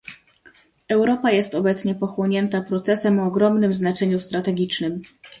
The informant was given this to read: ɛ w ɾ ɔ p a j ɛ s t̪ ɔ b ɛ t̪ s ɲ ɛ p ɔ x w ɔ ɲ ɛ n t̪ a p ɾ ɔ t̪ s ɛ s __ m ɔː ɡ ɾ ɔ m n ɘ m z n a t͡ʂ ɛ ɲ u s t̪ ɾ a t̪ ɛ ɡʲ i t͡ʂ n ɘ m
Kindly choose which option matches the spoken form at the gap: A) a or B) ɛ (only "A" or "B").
B